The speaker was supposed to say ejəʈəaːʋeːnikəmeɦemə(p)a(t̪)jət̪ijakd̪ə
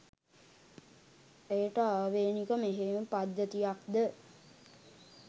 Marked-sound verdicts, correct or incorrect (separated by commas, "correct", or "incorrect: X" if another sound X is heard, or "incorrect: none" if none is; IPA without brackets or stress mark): correct, incorrect: d̪